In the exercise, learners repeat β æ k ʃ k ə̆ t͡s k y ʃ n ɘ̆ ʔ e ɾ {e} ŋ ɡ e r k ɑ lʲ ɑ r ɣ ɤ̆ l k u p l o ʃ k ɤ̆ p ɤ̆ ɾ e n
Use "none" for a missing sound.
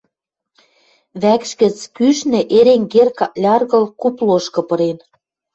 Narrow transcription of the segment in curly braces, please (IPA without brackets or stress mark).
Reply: e